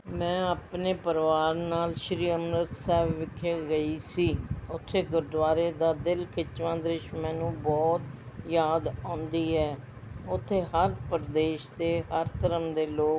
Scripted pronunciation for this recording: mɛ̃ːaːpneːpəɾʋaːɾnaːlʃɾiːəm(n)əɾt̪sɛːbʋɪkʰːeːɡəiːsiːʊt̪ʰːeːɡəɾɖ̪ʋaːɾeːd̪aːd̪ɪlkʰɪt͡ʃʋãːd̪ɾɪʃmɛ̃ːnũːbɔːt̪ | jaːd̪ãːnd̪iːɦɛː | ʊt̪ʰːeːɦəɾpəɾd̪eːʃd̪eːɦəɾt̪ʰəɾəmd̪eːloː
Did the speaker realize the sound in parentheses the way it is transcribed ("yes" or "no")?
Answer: yes